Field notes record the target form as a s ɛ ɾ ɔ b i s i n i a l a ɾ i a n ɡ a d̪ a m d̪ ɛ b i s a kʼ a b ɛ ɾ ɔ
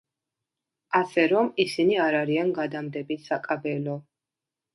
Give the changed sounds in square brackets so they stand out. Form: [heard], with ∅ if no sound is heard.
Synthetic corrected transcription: a s ɛ ɾ ɔ [m] i s i n i a [ɾ] a ɾ i a n ɡ a d̪ a m d̪ ɛ b i s a kʼ a b ɛ [l] ɔ

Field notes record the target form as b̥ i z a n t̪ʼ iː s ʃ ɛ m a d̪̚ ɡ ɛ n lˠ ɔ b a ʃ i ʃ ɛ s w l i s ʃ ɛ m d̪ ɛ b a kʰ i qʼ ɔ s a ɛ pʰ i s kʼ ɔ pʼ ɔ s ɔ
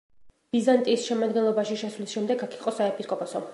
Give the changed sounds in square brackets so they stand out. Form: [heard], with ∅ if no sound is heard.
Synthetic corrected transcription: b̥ i z a n t̪ʼ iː s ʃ ɛ m a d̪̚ ɡ ɛ n lˠ ɔ b a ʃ i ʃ ɛ s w l i s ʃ ɛ m d̪ ɛ [ɡ] a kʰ i qʼ ɔ s a ɛ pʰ i s kʼ ɔ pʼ ɔ s ɔ

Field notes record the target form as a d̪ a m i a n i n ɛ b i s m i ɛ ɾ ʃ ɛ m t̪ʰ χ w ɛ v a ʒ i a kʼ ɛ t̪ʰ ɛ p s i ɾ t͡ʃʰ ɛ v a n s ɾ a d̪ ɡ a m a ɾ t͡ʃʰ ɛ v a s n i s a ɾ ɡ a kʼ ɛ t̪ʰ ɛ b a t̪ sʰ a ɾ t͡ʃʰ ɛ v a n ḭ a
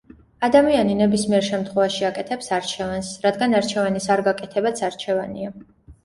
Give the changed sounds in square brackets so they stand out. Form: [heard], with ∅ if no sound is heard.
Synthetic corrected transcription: a d̪ a m i a n i n ɛ b i s m i ɛ ɾ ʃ ɛ m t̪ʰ χ w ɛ v a [ʃ] i a kʼ ɛ t̪ʰ ɛ p s [a] ɾ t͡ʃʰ ɛ v a n s ɾ a d̪ ɡ a [n] a ɾ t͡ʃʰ ɛ v a [∅] n i s a ɾ ɡ a kʼ ɛ t̪ʰ ɛ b a t̪ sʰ a ɾ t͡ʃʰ ɛ v a n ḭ a

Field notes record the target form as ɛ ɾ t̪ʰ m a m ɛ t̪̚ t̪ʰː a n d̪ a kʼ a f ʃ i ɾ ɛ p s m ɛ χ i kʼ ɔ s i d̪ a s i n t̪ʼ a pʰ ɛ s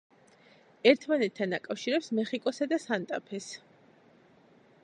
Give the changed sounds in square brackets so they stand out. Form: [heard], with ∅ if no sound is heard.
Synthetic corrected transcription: ɛ ɾ t̪ʰ m a [n] ɛ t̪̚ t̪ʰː a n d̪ a kʼ a f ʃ i ɾ ɛ p s m ɛ χ i kʼ ɔ s [a] d̪ a s [a] n t̪ʼ a pʰ ɛ s

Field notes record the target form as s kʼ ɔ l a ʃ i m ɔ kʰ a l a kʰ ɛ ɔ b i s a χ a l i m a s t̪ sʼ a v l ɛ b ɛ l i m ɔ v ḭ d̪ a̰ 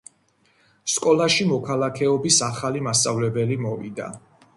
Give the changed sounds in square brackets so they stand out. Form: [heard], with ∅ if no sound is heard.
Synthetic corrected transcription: s kʼ ɔ l a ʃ i m ɔ kʰ a l a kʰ ɛ ɔ b i s a χ a l i m a s t̪ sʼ a v l ɛ b ɛ l i m ɔ v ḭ d̪ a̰

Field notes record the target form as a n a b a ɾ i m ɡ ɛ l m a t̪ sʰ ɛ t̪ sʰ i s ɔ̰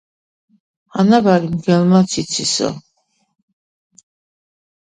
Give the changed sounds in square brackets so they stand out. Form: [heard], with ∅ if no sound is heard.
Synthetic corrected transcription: a n a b a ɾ i m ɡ ɛ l m a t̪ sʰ [i] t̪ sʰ i s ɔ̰

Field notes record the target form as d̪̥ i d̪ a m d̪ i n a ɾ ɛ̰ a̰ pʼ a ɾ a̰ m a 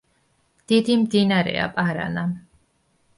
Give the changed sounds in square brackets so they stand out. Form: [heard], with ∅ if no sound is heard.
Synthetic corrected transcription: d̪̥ i d̪ [i] m d̪ i n a ɾ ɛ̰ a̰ pʼ a ɾ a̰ [n] a

